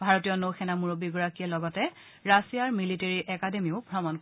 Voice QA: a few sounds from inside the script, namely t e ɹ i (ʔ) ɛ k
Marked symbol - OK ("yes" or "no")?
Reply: yes